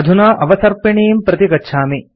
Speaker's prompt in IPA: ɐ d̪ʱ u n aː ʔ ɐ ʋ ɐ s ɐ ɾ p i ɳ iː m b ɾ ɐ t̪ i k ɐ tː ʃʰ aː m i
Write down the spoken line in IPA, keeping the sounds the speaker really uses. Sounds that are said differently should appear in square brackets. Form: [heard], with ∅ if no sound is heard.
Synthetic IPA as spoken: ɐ d̪ʱ u n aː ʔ ɐ ʋ ɐ s ɐ ɾ p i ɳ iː m [p] ɾ ɐ t̪ i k ɐ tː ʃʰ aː m i

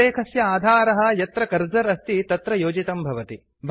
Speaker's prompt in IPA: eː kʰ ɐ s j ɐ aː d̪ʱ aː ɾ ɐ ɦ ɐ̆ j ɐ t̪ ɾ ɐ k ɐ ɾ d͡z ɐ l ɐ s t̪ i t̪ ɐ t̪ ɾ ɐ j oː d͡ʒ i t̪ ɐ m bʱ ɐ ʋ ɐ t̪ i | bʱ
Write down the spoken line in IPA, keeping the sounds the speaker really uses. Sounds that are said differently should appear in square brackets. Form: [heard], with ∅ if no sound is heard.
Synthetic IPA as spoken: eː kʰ ɐ s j ɐ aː d̪ʱ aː ɾ ɐ ɦ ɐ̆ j ɐ t̪ ɾ ɐ k ɐ ɾ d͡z ɐ [ɾ] ɐ s t̪ i t̪ ɐ t̪ ɾ ɐ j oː d͡ʒ i t̪ ɐ m bʱ ɐ ʋ ɐ t̪ i | bʱ

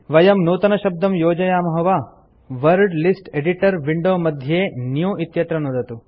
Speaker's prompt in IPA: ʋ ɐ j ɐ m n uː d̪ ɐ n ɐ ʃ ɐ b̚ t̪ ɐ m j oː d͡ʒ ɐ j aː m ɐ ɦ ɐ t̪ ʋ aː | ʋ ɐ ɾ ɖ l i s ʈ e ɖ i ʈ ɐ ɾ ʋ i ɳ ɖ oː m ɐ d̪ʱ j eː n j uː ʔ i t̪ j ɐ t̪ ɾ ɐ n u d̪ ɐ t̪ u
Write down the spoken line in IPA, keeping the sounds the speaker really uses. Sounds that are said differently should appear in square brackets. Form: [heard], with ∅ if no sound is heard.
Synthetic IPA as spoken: ʋ ɐ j ɐ m n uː [t̪] ɐ n ɐ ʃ ɐ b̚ [d̪] ɐ m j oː d͡ʒ ɐ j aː m ɐ ɦ ɐ [∅] ʋ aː | ʋ ɐ ɾ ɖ l i s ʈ e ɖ i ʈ ɐ ɾ ʋ i ɳ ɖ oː m ɐ d̪ʱ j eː n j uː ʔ i t̪ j ɐ t̪ ɾ ɐ n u d̪ ɐ t̪ u

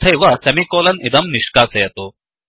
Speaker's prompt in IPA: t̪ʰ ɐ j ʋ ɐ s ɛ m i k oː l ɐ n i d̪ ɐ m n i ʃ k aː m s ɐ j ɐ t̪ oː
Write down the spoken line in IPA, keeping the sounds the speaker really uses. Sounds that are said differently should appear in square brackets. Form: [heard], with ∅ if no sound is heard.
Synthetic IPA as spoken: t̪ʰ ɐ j ʋ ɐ s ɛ m i k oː l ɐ n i d̪ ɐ m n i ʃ k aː [∅] s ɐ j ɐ t̪ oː

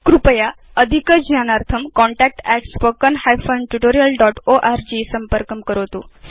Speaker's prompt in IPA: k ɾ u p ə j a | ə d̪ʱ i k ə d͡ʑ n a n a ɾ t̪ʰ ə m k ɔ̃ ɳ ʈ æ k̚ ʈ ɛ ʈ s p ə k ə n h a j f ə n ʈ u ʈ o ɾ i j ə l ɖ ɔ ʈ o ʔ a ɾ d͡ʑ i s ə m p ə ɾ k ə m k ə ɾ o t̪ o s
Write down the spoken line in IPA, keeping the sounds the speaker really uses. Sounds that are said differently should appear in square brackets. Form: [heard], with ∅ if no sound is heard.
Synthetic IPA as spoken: k ɾ u p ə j a | ə d̪ʱ i k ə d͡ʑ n a n a ɾ t̪ʰ ə m k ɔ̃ ɳ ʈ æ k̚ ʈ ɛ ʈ s p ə k ə n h a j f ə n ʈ u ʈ o ɾ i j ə l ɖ ɔ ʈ o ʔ a ɾ d͡ʑ i s ə m p ə ɾ k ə m k ə ɾ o t̪ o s

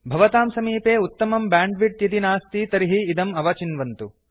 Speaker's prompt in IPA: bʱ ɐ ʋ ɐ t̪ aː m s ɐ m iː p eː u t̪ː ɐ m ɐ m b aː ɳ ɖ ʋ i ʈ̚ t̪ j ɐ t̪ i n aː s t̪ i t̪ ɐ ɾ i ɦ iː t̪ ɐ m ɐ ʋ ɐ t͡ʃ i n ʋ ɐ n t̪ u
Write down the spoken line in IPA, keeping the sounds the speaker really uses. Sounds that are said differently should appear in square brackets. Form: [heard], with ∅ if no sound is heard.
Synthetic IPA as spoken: bʱ ɐ ʋ ɐ t̪ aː m s ɐ m iː p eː u t̪ː ɐ m ɐ m b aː ɳ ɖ ʋ i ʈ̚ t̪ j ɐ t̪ i n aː s t̪ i t̪ ɐ ɾ i ɦ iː [d̪] ɐ m ɐ ʋ ɐ t͡ʃ i n ʋ ɐ n t̪ u

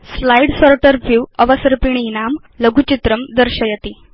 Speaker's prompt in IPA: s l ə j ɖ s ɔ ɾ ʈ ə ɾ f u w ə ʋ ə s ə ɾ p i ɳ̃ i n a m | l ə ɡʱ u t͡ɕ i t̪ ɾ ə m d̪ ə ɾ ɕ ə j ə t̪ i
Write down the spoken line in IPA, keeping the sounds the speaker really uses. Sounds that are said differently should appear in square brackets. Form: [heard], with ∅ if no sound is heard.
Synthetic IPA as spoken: s l [a] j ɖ s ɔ ɾ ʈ ə ɾ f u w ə ʋ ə s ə ɾ p i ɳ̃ i n a m | l ə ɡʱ u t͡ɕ i t̪ ɾ ə m d̪ ə ɾ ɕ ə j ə t̪ i

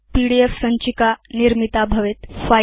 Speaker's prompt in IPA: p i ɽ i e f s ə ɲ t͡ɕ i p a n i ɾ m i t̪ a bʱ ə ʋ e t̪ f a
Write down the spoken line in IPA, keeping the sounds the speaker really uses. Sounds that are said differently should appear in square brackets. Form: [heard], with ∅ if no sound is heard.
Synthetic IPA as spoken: p i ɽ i e f s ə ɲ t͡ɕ i [k] a n i ɾ m i t̪ a bʱ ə ʋ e t̪ f a

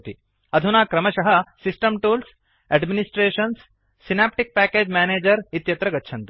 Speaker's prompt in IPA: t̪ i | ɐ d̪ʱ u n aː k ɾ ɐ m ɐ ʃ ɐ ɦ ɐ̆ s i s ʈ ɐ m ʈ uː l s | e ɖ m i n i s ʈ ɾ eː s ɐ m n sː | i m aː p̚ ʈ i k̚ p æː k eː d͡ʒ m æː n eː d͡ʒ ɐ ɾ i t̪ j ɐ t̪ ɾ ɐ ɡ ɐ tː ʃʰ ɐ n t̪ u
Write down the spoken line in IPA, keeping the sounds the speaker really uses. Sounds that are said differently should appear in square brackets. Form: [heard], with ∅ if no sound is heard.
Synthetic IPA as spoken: t̪ i | ɐ d̪ʱ u n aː k ɾ ɐ m ɐ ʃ ɐ ɦ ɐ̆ s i s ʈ ɐ m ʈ uː l s | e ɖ m i n i s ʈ ɾ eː [ʃ] ɐ [∅] n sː | i [n] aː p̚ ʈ i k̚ p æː k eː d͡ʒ m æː n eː d͡ʒ ɐ ɾ i t̪ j ɐ t̪ ɾ ɐ ɡ ɐ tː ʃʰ ɐ n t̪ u

